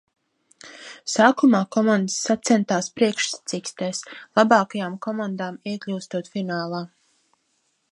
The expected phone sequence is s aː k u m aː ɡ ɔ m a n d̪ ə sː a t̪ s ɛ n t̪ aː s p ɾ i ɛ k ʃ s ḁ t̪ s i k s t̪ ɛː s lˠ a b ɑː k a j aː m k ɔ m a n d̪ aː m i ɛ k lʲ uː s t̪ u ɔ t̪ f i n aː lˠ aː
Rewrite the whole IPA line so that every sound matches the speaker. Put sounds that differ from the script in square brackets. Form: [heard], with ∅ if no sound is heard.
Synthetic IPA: s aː k u m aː [k] ɔ m a n d̪ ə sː a t̪ s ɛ n t̪ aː s p ɾ i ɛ k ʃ s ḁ t̪ s i k s t̪ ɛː s lˠ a b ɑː k a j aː m k ɔ m a n d̪ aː m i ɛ k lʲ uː s t̪ u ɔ t̪ f i n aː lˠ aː